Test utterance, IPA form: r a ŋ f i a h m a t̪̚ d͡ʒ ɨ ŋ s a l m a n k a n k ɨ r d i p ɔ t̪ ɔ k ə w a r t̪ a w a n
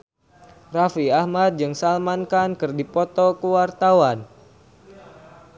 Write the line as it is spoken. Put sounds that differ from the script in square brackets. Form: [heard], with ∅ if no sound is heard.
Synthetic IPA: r a [∅] f i a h m a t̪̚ d͡ʒ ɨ ŋ s a l m a n k a n k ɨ r d i p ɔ t̪ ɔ k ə w a r t̪ a w a n